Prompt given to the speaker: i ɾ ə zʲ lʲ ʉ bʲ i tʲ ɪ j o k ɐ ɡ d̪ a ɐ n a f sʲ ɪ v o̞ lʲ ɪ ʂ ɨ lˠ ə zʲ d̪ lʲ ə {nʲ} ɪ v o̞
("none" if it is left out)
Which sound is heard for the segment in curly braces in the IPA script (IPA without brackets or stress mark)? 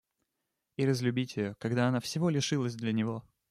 nʲ